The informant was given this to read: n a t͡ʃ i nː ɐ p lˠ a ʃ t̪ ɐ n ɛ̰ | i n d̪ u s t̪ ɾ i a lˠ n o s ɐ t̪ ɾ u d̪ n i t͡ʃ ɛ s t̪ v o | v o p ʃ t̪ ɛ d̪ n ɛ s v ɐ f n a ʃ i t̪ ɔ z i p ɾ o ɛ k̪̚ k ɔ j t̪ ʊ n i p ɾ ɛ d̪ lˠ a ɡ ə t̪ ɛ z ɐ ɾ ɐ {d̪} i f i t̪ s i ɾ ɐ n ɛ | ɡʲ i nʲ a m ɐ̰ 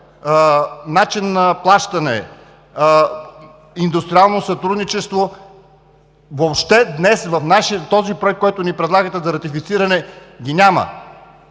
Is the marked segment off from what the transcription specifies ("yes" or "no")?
yes